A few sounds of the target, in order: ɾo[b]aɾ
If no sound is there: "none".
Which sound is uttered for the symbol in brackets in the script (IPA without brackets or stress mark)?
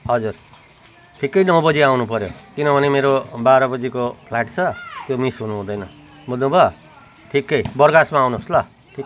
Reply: b